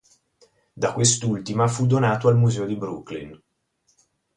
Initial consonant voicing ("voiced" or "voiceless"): voiced